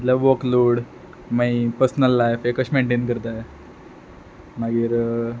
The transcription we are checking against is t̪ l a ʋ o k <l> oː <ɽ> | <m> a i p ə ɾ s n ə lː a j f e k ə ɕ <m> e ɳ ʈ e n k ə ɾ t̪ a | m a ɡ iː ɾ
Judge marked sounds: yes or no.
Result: yes, yes, yes, yes

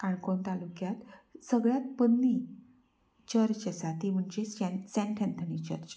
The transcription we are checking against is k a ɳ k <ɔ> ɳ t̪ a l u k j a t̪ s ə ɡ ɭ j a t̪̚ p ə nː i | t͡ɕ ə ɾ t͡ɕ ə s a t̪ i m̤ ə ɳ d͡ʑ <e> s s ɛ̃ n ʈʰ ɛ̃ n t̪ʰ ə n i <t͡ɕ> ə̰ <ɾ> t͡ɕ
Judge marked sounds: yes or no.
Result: no, yes, yes, yes

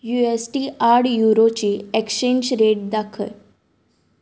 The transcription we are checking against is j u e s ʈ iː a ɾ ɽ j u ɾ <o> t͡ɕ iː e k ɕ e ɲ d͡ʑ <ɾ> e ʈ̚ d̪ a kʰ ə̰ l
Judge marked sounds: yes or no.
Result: yes, yes

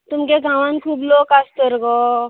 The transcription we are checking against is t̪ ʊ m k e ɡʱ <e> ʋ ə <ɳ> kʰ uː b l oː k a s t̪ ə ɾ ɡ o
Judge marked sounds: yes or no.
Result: no, no

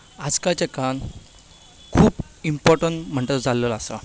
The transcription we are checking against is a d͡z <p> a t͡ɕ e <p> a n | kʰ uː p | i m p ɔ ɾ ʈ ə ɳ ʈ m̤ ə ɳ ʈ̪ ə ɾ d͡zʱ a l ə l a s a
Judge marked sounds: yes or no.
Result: no, no

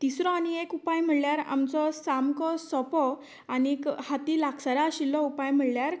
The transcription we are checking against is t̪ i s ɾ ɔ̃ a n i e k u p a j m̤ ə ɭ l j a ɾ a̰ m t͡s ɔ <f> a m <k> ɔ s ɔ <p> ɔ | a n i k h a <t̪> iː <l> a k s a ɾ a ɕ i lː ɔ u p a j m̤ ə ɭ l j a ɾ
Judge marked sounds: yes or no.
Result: no, yes, yes, yes, yes

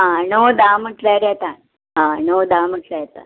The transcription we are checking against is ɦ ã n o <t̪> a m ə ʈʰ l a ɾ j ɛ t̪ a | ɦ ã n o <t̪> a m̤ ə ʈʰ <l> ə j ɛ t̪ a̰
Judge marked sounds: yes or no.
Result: no, no, yes

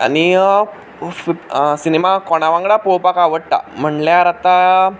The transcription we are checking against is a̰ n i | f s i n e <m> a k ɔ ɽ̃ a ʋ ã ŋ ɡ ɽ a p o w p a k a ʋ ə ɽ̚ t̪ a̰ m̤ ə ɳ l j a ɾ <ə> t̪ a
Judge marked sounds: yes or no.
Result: yes, no

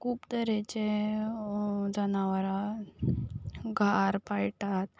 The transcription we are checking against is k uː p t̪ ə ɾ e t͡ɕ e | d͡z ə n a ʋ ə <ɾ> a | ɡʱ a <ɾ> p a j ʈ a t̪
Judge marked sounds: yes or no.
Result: yes, yes

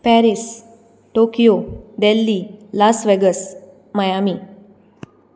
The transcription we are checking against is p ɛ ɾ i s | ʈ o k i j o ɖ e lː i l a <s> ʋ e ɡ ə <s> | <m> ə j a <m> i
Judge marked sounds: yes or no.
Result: yes, yes, yes, yes

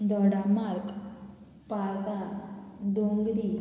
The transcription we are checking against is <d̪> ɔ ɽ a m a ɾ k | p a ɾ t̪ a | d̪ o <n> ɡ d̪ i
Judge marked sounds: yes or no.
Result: yes, no

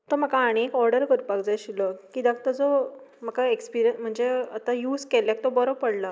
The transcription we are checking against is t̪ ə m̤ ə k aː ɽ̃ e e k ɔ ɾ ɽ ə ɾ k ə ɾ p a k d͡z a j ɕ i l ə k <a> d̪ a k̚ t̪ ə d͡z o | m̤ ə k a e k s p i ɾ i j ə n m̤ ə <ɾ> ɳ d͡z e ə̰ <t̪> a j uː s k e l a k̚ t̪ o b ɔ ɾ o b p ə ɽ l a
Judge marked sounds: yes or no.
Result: no, no, yes

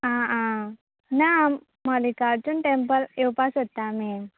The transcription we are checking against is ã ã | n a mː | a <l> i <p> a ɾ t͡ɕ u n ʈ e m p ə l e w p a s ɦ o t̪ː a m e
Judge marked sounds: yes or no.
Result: yes, no

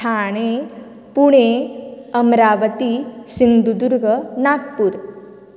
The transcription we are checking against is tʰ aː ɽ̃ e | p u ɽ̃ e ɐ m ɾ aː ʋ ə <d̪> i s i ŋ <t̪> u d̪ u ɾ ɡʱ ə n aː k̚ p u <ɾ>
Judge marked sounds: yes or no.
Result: no, no, yes

